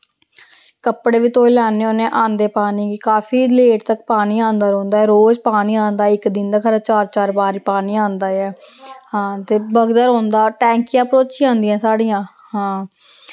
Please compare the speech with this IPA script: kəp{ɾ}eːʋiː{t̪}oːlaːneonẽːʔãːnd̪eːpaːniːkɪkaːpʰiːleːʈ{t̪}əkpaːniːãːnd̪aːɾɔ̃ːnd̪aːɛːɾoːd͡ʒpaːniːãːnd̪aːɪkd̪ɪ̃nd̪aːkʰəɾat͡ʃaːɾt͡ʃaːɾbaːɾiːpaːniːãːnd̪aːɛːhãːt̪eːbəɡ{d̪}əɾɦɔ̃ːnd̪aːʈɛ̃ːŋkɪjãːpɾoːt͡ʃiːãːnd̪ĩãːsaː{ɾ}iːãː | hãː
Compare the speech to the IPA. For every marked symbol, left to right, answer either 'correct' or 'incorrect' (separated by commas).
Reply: incorrect, correct, correct, correct, incorrect